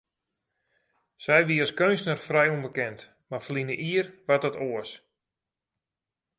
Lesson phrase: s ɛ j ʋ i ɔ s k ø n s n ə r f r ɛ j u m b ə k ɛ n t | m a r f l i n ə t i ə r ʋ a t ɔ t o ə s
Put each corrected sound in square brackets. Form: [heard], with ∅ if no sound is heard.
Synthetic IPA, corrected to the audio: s ɛ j ʋ i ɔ s k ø n s n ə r f r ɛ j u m b ə k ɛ n t | m a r f l i n ə [ʔ] i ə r ʋ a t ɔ t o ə s

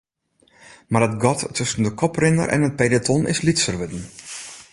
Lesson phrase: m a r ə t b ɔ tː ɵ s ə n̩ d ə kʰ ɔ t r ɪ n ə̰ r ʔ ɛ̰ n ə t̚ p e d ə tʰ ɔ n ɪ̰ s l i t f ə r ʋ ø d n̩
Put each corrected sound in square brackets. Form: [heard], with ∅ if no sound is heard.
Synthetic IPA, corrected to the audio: m a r ə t [ɡ] ɔ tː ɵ s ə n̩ d ə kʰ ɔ [p] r ɪ n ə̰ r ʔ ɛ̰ n ə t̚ p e d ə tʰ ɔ n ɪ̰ s l i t [s] ə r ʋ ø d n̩

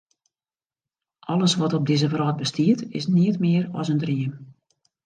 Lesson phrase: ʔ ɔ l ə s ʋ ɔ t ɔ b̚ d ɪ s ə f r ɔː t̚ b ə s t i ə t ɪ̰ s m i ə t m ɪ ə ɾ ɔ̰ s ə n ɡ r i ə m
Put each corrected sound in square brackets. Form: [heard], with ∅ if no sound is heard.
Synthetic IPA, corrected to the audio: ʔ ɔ l ə s ʋ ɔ t ɔ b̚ d ɪ [z] ə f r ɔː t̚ b ə s t i ə t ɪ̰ s [n] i ə t m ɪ ə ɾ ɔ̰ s ə n [d] r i ə m

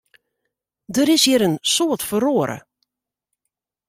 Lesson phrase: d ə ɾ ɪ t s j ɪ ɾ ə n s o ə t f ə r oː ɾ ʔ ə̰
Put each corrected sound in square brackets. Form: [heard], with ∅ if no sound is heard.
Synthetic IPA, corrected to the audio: d ə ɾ ɪ [∅] s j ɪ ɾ ə n s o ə t f ə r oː ɾ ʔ ə̰

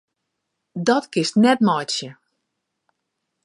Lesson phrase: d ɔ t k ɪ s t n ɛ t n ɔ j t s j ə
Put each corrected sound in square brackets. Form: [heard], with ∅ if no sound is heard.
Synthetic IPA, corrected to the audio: d ɔ t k ɪ s t n ɛ t [m] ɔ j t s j ə

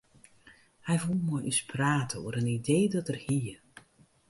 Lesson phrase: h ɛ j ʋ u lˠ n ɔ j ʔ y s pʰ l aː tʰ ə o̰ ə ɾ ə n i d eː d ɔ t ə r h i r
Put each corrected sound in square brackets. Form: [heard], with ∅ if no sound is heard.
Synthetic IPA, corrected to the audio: h ɛ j [v] u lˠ [m] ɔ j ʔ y s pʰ [r] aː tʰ ə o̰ ə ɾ ə n i d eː d ɔ t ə r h i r

